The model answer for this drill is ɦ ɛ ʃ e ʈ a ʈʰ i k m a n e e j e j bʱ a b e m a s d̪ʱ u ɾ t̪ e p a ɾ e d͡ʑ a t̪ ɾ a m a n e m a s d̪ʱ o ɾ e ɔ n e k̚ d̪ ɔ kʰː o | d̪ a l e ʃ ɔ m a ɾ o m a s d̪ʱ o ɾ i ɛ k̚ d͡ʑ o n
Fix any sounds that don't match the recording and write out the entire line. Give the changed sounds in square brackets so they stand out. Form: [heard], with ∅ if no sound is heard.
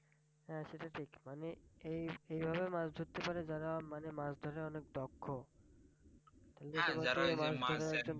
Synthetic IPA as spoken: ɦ ɛ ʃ e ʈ a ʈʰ i k m a n e e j e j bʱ a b e m a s d̪ʱ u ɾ t̪ e p a ɾ e d͡ʑ a [∅] ɾ a m a n e m a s d̪ʱ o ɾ e ɔ n e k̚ d̪ ɔ kʰː o | [t̪] a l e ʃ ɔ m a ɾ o m a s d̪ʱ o ɾ [e] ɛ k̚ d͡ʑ o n

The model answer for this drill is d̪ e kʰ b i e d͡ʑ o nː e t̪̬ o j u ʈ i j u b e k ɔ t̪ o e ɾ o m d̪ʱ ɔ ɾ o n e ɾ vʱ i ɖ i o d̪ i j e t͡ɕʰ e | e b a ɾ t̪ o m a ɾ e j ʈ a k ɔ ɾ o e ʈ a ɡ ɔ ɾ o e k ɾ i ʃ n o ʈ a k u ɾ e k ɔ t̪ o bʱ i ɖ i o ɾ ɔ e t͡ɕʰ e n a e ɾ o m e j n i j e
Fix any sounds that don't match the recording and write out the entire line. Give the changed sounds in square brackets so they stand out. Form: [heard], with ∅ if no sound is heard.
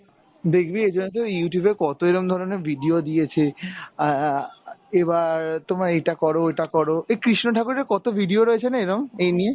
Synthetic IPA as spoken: d̪ e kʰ b i e d͡ʑ o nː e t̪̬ o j u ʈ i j u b e k ɔ t̪ o e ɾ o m d̪ʱ ɔ ɾ o n e ɾ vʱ i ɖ i o d̪ i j e t͡ɕʰ e | e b a ɾ t̪ o m a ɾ e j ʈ a k ɔ ɾ o e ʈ a [k] ɔ ɾ o e k ɾ i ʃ n o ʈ a k u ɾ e k ɔ t̪ o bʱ i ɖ i o ɾ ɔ e t͡ɕʰ e n a e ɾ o m e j n i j e

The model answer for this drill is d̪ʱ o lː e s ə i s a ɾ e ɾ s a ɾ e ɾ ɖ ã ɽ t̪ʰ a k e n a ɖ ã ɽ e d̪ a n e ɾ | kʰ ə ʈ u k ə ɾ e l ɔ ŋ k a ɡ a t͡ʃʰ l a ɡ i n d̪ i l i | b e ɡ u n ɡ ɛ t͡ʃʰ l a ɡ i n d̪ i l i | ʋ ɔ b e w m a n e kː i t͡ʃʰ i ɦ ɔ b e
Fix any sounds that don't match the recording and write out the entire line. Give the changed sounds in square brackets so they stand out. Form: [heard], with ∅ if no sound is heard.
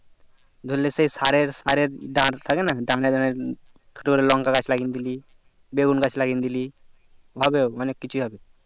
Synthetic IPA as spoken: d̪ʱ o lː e s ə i s a ɾ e ɾ s a ɾ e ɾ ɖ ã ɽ t̪ʰ a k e n a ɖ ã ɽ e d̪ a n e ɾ | kʰ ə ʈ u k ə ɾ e l ɔ ŋ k a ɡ a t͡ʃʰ l a ɡ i n d̪ i l i | b e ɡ u n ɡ [a] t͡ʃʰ l a ɡ i n d̪ i l i | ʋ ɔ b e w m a n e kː i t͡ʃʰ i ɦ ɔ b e

